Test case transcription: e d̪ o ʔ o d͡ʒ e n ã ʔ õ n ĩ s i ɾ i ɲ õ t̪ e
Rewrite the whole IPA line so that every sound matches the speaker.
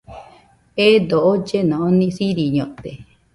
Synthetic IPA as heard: e d̪ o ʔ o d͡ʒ e n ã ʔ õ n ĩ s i ɾ i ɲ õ t̪ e